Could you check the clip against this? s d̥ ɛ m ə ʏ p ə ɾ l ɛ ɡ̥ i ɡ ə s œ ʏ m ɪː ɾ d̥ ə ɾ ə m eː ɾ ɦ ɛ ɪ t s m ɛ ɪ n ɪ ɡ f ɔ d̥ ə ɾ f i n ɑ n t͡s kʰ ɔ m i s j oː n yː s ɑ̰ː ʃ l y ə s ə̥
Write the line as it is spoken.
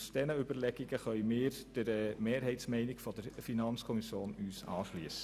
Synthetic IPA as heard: s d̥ ɛ n ə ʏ b ə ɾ l ɛ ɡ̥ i ɡ ə χ œ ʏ m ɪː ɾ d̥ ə ɾ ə m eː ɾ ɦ ɛ ɪ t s m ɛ ɪ n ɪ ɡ f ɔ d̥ ə ɾ f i n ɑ n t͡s kʰ ɔ m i s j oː n yː s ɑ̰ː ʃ l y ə s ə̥